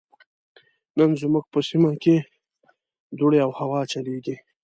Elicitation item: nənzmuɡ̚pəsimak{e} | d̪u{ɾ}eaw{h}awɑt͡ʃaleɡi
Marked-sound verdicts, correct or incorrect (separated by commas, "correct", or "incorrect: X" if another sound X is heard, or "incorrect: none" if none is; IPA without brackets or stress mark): correct, incorrect: ɽ, correct